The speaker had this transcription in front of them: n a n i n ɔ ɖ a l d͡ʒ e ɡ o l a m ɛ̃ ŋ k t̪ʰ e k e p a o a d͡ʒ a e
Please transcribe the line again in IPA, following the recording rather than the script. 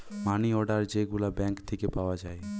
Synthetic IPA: m a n i ɔ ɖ a ɾ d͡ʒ e ɡ u l a b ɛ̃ ŋ k t̪ʰ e k e p a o a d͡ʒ a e

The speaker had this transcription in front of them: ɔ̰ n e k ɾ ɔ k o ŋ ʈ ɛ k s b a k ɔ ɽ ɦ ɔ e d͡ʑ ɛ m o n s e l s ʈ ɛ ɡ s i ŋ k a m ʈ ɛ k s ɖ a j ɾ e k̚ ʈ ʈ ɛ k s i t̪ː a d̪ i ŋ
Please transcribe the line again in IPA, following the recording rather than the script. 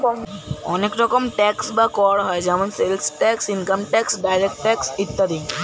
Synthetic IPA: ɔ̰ n e k ɾ ɔ k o m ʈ ɛ k s b a k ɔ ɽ ɦ ɔ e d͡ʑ ɛ m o n s e l s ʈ ɛ k s i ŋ k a m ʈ ɛ k s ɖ a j ɾ e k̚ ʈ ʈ ɛ k s i t̪ː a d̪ i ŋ

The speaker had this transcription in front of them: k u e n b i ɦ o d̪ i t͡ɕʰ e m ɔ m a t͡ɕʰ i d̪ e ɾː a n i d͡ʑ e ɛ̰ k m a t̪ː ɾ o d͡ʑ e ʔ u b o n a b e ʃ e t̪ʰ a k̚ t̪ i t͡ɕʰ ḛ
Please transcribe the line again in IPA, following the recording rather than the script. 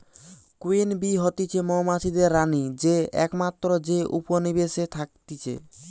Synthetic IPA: k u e n b i ɦ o t̪ i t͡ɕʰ e m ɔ m a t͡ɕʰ i d̪ e ɾː a n i d͡ʑ e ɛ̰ k m a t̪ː ɾ o d͡ʑ e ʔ u p o n i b e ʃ e t̪ʰ a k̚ t̪ i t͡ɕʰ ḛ

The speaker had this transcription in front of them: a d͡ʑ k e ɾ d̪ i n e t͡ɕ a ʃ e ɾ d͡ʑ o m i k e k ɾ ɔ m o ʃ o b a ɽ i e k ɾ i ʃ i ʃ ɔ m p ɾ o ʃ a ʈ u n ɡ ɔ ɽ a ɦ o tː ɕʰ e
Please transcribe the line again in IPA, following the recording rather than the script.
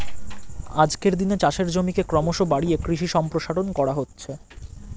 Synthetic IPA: a d͡ʑ k e ɾ d̪ i n e t͡ɕ a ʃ e ɾ d͡ʑ o m i k e k ɾ ɔ m o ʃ o b a ɽ i e k ɾ i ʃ i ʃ ɔ m p ɾ o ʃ a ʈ o n k ɔ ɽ a ɦ o tː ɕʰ e

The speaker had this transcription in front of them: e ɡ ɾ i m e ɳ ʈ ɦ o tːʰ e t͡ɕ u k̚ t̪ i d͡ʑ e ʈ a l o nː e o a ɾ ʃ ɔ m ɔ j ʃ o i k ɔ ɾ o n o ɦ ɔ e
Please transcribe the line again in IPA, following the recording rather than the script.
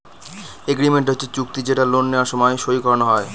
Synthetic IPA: e ɡ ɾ i m e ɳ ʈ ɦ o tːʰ e t͡ɕ u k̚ t̪ i d͡ʑ e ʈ a l o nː e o a ɾ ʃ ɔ m ɔ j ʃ o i k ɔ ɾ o n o ɦ ɔ e

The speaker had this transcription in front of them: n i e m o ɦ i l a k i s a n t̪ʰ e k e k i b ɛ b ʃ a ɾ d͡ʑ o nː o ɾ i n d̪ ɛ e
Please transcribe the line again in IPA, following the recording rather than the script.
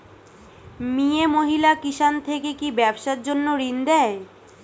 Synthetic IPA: m i e m o ɦ i l a k i ʃ a n t̪ʰ e k e k i b ɛ b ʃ a ɾ d͡ʑ o nː o ɾ i n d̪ ɛ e

